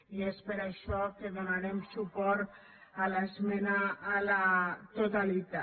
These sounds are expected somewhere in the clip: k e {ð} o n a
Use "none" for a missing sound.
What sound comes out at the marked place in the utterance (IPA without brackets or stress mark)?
ð